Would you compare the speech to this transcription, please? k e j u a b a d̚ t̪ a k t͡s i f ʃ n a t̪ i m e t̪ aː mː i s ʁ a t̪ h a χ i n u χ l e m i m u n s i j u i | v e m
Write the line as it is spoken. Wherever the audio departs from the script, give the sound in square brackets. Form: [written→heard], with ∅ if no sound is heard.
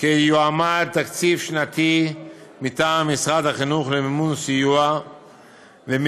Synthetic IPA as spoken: k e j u a [b→m] a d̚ t̪ a k t͡s i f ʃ n a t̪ i m [e→i] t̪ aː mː i s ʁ a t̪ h a χ i n u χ l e m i m u n s i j u [i→a] | v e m